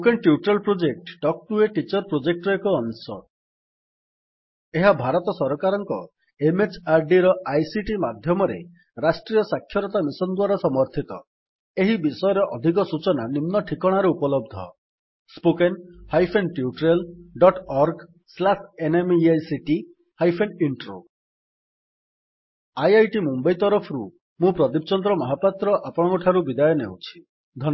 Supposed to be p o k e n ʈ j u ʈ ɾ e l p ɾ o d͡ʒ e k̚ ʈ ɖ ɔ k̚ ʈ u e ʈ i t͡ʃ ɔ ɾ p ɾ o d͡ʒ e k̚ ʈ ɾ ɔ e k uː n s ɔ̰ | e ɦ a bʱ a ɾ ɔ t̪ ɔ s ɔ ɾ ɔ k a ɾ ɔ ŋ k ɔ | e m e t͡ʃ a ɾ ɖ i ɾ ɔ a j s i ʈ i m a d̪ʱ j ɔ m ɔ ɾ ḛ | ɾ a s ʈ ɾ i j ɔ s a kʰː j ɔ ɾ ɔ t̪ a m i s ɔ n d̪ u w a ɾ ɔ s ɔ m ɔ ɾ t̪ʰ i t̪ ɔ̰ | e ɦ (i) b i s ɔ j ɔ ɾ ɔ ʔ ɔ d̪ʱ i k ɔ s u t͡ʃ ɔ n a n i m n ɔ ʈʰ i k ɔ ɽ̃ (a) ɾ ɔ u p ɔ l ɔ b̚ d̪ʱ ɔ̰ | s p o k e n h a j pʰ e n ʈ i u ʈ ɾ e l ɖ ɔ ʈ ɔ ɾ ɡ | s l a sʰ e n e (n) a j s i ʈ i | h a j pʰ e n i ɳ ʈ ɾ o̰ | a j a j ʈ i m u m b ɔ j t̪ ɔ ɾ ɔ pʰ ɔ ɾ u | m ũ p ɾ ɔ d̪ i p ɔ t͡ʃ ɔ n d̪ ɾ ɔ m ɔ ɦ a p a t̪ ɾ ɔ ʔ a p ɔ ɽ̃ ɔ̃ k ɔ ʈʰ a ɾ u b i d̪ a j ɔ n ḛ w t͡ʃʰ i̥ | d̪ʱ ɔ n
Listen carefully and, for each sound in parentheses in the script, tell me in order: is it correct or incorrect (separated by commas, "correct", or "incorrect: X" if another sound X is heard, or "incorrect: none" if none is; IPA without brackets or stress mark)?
correct, correct, incorrect: m